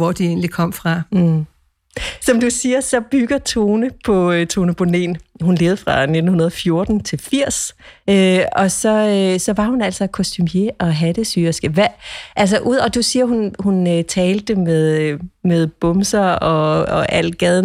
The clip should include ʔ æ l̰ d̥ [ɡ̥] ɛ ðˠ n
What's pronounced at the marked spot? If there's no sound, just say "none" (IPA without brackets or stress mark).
ɡ̥